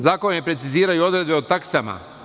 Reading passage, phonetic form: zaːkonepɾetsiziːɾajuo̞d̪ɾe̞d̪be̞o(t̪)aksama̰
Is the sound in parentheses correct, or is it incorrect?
correct